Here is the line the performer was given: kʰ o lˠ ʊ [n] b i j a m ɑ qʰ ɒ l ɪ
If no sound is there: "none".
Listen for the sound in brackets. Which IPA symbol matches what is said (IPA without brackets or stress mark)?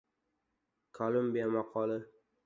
m